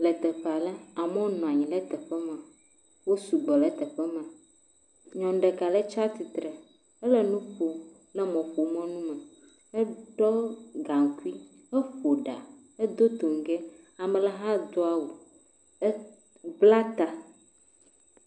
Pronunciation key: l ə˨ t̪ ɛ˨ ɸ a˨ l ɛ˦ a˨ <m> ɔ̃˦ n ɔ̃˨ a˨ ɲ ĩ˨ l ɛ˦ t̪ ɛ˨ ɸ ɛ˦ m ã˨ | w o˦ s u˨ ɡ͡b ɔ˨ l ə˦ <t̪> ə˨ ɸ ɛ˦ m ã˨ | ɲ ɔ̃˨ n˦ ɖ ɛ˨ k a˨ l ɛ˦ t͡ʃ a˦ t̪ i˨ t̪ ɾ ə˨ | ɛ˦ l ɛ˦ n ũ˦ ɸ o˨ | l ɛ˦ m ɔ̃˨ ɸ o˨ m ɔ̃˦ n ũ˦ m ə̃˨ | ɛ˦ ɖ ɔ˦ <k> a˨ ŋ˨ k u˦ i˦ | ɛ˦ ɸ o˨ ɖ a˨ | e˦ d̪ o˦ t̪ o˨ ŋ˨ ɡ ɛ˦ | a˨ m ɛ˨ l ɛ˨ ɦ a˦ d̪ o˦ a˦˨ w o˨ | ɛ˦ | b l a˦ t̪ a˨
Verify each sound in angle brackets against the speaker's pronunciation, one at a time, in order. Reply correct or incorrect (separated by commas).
correct, correct, incorrect